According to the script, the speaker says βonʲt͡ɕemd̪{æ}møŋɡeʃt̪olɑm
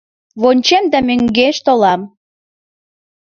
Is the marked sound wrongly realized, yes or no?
no